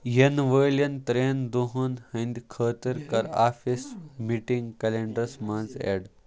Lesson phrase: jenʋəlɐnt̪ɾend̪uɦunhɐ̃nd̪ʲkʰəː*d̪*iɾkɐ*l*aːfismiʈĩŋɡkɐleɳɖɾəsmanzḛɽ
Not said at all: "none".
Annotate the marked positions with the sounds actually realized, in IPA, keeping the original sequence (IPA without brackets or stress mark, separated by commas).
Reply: t̪, ɾ